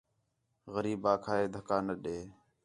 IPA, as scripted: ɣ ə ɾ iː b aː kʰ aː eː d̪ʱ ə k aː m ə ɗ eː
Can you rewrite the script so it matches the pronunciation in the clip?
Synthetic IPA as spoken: ɣ ə ɾ iː b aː kʰ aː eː d̪ʱ ə k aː n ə ɗ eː